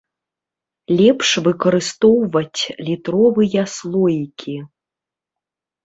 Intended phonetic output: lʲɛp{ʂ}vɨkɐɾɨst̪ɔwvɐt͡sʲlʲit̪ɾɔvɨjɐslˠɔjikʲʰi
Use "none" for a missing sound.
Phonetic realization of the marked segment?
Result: ʂ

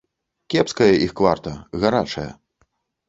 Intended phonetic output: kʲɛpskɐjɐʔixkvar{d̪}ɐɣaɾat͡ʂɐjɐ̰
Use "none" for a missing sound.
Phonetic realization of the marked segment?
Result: t̪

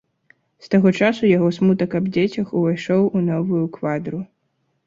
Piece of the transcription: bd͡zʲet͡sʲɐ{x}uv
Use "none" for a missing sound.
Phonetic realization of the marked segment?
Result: x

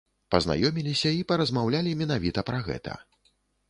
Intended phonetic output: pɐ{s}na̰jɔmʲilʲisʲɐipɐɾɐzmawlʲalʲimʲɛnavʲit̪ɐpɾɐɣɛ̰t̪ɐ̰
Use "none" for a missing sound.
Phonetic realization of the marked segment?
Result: z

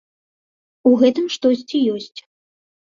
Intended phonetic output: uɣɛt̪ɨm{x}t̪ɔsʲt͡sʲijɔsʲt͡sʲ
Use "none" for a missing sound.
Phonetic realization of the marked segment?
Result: ʂ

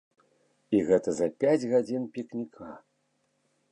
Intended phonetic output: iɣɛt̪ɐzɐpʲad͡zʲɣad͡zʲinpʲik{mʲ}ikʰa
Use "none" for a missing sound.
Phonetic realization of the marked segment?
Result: nʲ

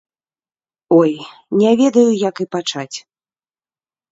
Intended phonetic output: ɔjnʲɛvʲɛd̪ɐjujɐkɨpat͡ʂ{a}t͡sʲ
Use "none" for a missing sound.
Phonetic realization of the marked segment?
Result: a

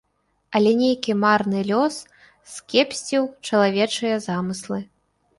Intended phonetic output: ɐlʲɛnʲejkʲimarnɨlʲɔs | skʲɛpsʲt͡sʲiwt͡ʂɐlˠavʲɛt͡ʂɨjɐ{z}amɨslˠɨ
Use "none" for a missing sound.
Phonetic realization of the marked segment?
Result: z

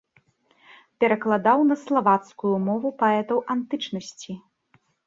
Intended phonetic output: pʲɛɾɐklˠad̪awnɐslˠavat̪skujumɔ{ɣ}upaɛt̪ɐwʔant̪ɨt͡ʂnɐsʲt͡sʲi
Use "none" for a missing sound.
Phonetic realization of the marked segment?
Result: v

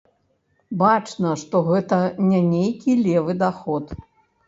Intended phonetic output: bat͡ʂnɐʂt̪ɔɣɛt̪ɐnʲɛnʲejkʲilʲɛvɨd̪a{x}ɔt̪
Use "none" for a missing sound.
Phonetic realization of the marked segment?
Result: x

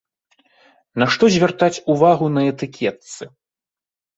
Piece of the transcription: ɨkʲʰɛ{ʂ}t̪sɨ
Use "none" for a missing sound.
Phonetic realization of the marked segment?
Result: none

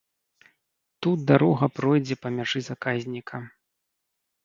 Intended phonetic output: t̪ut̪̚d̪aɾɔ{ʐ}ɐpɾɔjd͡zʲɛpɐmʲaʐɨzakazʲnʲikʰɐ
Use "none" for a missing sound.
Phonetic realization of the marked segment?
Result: ɣ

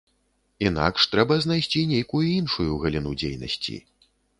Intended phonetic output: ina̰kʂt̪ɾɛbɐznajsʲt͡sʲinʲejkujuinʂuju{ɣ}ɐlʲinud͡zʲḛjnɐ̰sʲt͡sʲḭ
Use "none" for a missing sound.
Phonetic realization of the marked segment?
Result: ɣ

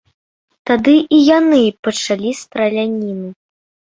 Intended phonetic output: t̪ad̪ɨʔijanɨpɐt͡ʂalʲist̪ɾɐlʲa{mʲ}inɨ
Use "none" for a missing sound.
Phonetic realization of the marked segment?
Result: nʲ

